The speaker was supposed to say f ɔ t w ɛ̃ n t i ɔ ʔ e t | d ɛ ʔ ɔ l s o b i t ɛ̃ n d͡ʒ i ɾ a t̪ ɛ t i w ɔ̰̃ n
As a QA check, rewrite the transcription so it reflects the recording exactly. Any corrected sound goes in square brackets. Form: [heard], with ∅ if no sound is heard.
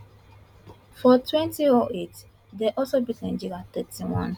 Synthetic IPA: f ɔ t w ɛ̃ n t i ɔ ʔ e t | d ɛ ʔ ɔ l s o b i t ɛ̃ n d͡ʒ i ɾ a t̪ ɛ t i w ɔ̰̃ n